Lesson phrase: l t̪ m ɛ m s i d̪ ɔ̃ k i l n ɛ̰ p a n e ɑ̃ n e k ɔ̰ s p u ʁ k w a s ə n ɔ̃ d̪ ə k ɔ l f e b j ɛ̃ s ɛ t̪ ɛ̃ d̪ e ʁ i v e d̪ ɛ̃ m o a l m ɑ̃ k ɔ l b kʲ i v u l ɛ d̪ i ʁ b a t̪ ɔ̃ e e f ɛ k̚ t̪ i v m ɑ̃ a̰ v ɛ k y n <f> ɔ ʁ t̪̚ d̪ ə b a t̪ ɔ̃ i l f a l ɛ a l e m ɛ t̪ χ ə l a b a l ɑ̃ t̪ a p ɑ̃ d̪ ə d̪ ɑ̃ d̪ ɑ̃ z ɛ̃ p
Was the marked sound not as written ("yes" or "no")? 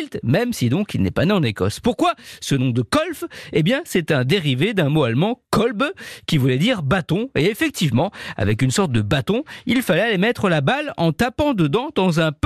yes